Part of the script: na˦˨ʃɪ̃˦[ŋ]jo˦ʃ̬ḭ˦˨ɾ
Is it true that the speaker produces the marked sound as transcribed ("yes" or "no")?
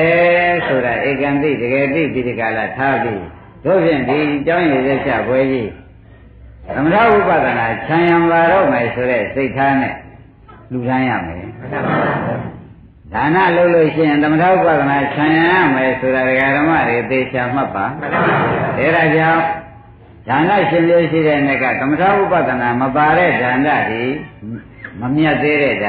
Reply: no